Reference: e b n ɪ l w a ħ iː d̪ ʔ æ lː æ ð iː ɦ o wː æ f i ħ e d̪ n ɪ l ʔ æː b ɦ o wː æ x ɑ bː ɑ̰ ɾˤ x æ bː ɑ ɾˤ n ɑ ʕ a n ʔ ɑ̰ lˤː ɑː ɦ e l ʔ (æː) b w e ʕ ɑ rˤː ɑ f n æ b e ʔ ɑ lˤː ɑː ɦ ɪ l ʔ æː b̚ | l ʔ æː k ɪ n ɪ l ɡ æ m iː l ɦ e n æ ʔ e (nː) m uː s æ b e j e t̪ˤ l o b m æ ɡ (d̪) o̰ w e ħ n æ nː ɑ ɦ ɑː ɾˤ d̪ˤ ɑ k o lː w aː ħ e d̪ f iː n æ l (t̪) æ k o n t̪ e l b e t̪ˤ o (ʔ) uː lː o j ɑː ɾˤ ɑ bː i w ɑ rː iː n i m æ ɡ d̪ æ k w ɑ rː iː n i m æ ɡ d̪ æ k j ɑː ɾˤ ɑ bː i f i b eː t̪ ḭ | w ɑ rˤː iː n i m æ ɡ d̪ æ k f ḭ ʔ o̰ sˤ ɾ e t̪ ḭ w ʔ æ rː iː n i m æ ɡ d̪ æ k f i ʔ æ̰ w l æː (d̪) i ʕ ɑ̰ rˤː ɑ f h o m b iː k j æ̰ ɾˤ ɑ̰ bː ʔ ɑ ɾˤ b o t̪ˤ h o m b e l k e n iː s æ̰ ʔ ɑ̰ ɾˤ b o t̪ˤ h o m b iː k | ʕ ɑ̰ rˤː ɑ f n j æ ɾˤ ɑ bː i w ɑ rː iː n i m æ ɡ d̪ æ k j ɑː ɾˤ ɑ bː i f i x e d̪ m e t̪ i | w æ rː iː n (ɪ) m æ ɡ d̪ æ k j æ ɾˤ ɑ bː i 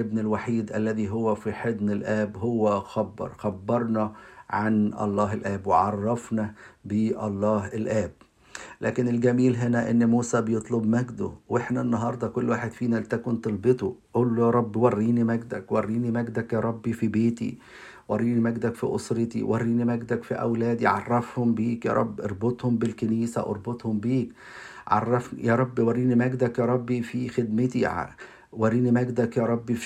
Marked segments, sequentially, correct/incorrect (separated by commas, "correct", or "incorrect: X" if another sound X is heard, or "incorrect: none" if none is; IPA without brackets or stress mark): correct, correct, correct, correct, correct, correct, incorrect: i